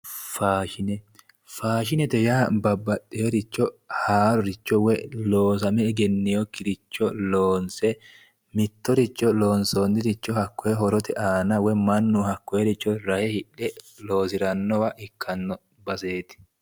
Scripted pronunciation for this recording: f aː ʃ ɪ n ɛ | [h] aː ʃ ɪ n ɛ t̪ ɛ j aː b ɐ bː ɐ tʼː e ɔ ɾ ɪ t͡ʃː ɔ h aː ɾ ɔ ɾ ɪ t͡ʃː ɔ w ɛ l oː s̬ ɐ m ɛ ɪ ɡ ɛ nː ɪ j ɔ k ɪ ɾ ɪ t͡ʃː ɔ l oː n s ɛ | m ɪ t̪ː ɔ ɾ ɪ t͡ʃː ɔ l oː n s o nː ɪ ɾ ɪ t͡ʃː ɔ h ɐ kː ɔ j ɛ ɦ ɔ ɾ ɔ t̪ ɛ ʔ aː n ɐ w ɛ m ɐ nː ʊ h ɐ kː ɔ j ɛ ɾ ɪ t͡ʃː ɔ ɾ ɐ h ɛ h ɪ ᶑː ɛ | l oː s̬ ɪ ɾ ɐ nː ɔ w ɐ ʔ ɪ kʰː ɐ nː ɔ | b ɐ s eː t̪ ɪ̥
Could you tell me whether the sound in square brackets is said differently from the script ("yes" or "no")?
yes